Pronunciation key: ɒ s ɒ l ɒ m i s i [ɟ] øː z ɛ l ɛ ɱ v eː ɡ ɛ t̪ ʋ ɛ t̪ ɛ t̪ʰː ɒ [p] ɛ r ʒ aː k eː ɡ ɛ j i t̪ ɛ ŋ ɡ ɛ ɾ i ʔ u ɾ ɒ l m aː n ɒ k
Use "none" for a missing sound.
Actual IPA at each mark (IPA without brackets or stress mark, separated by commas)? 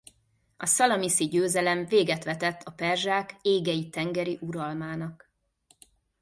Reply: ɟ, p